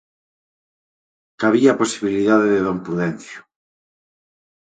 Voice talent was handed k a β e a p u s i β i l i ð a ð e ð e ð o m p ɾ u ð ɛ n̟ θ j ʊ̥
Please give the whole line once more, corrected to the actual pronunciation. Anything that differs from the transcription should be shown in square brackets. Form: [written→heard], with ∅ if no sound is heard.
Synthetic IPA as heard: k a β [e→i] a p [u→o] s i β i l i ð a ð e ð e ð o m p ɾ u ð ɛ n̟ θ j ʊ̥

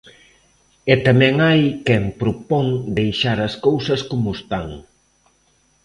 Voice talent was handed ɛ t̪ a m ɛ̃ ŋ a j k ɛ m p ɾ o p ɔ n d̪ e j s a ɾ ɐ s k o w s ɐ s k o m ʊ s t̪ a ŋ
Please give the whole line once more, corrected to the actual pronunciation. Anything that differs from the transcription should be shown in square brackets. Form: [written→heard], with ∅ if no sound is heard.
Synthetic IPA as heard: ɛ t̪ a m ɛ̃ ŋ a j k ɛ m p ɾ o p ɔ [n→ŋ] d̪ e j [s→ʃ] a ɾ ɐ s k o w s ɐ s k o m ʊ s t̪ a ŋ

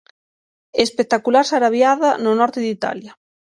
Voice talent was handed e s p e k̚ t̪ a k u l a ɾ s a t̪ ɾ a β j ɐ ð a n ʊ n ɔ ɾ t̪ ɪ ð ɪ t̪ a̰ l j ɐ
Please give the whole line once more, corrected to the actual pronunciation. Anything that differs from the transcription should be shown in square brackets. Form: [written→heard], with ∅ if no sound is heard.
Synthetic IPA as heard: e s p e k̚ t̪ a k u l a ɾ s a [t̪→∅] ɾ a β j [ɐ→a] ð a n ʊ n ɔ ɾ t̪ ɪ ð [ɪ→i] t̪ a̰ l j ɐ

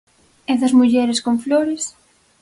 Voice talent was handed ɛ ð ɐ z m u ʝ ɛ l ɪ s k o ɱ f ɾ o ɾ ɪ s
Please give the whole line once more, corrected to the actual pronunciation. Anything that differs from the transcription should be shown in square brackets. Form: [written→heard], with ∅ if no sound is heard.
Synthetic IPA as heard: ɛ ð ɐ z m u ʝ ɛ [l→ɾ] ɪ s k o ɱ f [ɾ→l] o ɾ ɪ s

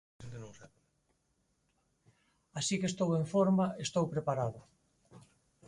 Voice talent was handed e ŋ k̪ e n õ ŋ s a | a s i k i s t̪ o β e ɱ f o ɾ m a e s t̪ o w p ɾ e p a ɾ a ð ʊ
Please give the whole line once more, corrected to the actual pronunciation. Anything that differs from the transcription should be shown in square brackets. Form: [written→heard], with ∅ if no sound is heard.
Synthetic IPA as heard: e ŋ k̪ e n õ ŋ s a | a s i k [i→e] s t̪ o [β→w] e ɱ f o ɾ m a e s t̪ o w p ɾ e p a ɾ a ð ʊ

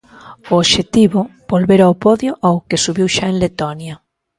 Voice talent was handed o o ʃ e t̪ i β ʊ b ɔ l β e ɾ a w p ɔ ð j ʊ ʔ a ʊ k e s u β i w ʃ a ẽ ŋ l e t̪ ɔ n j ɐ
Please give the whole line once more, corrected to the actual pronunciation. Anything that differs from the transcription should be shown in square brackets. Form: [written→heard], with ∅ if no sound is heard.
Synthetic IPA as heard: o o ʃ e t̪ i β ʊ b [ɔ→o] l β e ɾ a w p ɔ ð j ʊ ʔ a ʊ k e s u β i w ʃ a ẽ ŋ l e t̪ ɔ n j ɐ

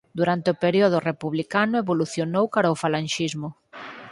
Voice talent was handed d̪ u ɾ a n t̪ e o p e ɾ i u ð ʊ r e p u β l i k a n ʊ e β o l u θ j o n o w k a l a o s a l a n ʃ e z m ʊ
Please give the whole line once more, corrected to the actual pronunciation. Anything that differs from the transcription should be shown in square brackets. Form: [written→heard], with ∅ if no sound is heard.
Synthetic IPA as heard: d̪ u ɾ a n t̪ e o p e ɾ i [u→o] ð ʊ r e p u β l i k a n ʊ e β o l u θ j o n o w k a [l→ɾ] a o [s→f] a l a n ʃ [e→i] z m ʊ

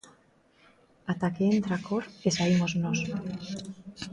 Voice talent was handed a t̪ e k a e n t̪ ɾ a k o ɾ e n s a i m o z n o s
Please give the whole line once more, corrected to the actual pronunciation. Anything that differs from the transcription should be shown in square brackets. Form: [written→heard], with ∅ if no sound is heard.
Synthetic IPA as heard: a t̪ [e→a] k [a→e] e n t̪ ɾ a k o ɾ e [n→∅] s a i m o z n o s

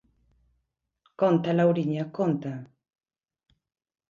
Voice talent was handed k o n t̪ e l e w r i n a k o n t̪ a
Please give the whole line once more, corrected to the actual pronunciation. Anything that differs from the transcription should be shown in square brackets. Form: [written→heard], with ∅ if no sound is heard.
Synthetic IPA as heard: k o n t̪ [e→a] l [e→a] w [r→ɾ] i [n→ɲ] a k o n t̪ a

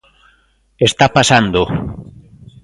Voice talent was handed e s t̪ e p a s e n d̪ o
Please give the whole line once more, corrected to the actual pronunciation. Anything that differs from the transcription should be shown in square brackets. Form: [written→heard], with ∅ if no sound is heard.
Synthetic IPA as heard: e s t̪ [e→a] p a s [e→a] n d̪ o

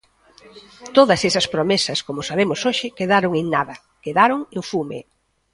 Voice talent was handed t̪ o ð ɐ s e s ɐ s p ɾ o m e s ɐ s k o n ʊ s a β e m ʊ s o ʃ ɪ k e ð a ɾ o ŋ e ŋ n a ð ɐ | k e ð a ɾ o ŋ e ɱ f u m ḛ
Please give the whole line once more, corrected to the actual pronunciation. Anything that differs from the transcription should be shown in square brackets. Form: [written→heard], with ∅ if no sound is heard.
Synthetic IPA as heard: t̪ o ð ɐ s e s ɐ s p ɾ o m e s ɐ s k o [n→m] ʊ s a β e m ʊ s o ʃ ɪ k e ð a ɾ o ŋ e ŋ n a ð ɐ | k e ð a ɾ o ŋ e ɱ f u m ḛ

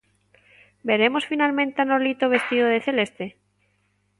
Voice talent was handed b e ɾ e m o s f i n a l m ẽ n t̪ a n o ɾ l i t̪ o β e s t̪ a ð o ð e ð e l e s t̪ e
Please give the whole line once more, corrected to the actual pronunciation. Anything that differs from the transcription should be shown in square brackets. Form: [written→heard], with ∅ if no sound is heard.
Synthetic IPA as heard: b e ɾ e m o s f i n a l m ẽ n t̪ a n o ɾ l i t̪ o β e s t̪ [a→i] ð o ð e [ð→θ] e l e s t̪ e

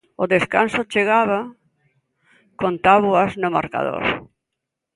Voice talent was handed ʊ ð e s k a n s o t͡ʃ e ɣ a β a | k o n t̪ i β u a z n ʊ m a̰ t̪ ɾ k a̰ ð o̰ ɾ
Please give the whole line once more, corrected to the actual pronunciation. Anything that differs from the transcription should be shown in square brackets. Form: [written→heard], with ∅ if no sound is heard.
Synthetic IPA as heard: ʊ ð e s k a n s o t͡ʃ e ɣ a β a | k o n t̪ [i→a] β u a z n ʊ m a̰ [t̪→∅] ɾ k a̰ ð o̰ ɾ

